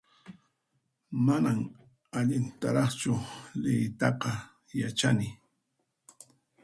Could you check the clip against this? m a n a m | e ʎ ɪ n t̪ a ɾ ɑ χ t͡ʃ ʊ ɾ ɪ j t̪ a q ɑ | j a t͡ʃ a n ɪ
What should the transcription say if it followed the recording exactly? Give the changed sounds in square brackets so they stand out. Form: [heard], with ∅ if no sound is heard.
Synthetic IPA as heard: m a n a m | [a] ʎ ɪ n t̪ a ɾ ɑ χ t͡ʃ ʊ [l] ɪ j t̪ [ɑ] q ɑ | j a t͡ʃ a n ɪ